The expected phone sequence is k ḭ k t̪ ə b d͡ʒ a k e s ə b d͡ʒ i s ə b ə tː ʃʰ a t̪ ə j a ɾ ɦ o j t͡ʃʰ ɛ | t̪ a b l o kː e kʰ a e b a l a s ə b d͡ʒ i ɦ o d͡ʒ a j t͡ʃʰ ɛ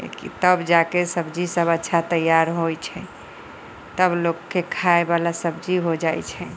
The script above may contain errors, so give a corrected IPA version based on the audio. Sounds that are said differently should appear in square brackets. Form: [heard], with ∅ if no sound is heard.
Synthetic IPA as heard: k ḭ [∅] t̪ ə b d͡ʒ a k e s ə b d͡ʒ i s ə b ə tː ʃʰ a t̪ ə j a ɾ ɦ o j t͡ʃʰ ɛ | t̪ [ə] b l o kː e kʰ a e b a l a s ə b d͡ʒ i ɦ o d͡ʒ a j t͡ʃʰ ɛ